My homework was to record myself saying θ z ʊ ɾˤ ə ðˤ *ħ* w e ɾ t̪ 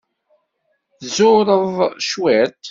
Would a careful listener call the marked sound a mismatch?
yes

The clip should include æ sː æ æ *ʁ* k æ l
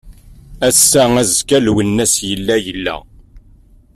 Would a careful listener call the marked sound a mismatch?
yes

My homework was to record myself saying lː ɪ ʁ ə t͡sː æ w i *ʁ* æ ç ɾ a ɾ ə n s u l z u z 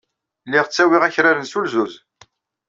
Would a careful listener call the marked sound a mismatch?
no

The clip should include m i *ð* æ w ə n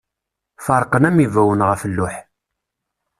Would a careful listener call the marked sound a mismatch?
yes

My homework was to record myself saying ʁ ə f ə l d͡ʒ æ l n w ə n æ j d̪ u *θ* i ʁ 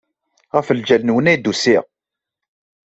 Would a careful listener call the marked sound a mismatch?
yes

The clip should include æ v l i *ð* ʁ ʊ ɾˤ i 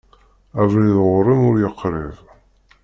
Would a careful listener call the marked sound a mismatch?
no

